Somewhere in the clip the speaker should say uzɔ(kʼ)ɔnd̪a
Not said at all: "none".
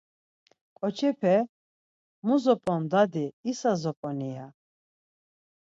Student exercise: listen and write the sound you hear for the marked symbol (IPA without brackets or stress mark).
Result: pʼ